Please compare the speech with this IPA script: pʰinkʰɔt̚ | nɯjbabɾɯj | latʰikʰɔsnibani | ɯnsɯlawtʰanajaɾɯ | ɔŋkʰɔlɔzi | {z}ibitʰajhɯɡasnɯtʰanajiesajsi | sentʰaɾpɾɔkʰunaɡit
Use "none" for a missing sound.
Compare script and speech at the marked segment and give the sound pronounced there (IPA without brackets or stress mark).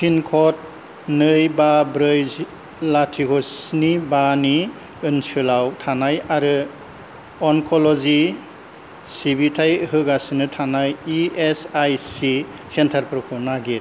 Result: s